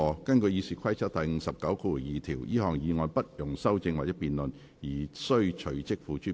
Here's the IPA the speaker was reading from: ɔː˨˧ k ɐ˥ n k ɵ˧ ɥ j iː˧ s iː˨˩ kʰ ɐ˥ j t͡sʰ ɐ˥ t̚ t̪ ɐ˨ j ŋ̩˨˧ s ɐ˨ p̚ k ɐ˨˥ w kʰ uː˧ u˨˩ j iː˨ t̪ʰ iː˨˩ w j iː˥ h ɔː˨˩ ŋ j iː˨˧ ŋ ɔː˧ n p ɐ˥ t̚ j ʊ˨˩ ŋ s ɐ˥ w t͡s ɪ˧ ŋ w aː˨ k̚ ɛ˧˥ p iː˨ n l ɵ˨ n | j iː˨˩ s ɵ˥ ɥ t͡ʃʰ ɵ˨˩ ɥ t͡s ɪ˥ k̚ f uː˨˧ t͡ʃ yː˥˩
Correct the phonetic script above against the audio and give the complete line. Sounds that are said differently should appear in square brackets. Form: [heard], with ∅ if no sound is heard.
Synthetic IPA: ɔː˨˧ k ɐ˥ n k ɵ˧ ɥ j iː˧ s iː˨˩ kʰ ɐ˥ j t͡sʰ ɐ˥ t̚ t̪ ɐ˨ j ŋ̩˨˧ s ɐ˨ p̚ k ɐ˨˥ w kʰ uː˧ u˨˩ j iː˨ t̪ʰ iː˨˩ w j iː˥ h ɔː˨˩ ŋ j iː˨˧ ŋ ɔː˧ n p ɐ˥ t̚ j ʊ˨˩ ŋ s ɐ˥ w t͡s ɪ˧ ŋ w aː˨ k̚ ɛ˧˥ p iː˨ n l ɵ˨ n | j iː˨˩ s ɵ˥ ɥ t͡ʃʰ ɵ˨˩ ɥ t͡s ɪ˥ k̚ f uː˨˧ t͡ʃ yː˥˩